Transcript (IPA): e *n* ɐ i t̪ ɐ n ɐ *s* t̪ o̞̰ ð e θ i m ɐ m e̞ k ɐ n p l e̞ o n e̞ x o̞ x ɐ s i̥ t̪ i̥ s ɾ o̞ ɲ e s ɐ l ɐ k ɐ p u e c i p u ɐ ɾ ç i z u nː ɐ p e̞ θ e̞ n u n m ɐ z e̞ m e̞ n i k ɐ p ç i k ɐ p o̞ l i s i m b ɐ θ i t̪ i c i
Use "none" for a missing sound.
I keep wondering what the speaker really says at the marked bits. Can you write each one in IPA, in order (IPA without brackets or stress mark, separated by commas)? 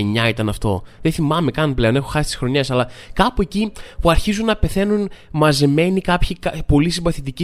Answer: ɲ, f